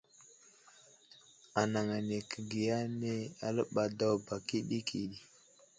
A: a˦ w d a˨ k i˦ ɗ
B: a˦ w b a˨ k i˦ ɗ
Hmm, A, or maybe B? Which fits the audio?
B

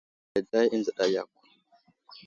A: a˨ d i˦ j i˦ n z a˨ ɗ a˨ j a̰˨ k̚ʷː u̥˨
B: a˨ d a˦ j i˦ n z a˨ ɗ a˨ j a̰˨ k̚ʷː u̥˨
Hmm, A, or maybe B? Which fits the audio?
B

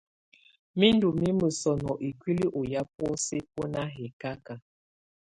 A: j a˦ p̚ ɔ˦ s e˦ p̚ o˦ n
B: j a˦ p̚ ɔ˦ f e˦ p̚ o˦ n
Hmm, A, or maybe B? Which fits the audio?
A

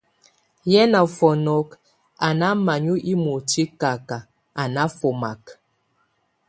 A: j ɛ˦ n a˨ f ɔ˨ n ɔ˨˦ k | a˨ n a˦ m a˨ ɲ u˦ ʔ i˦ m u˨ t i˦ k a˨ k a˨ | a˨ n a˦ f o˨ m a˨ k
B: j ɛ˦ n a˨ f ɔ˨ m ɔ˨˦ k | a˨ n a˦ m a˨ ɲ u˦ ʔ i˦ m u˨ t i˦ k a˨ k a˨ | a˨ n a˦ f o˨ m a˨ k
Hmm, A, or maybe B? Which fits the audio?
A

